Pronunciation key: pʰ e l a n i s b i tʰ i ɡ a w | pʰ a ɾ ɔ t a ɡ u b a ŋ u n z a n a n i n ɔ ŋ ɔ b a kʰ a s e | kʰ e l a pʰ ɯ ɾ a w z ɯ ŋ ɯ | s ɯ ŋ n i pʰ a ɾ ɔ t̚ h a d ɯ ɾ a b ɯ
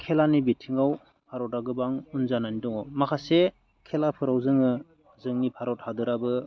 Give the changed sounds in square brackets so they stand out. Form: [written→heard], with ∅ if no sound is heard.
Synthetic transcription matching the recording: [pʰ→kʰ] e l a n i [s→∅] b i tʰ i [ɡ→ŋ] a w | pʰ a ɾ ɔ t a ɡ [u→ɯ] b a ŋ u n z a n a n i [n→d] ɔ ŋ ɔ [b→m] a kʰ a s e | kʰ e l a pʰ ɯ ɾ a w z ɯ ŋ ɯ | [s→z] ɯ ŋ n i pʰ a ɾ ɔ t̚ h a d ɯ ɾ a b ɯ